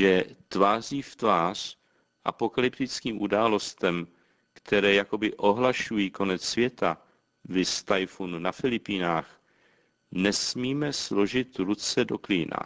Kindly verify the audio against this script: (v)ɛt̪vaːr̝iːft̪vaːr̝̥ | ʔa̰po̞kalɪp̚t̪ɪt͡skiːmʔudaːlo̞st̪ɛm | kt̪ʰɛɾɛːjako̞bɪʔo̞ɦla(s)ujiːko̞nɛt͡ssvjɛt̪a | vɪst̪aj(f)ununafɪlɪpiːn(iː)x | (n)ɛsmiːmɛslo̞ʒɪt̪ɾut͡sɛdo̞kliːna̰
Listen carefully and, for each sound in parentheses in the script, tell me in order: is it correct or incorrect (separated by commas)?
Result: incorrect, incorrect, correct, incorrect, correct